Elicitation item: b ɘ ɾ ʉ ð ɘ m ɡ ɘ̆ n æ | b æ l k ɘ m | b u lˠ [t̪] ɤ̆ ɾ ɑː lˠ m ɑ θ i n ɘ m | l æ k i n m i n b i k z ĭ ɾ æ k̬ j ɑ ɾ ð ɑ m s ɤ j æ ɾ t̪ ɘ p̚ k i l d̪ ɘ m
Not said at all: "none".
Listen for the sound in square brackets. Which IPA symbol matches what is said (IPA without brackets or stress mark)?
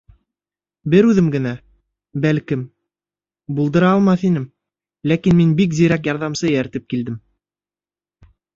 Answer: d̪